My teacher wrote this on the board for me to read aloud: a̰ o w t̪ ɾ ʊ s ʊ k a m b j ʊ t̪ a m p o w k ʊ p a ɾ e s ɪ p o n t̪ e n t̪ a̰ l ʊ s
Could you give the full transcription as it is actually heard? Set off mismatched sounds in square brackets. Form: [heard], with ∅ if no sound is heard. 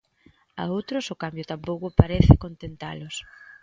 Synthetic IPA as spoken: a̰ o w t̪ ɾ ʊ s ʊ k a m b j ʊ t̪ a m p o w k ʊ p a ɾ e [θ] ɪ [k] o n t̪ e n t̪ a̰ l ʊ s